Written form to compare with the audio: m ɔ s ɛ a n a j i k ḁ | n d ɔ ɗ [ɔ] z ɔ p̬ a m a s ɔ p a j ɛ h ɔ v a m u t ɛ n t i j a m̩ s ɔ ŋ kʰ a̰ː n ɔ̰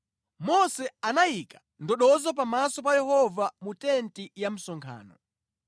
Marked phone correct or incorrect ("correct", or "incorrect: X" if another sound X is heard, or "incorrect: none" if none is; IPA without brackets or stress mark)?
correct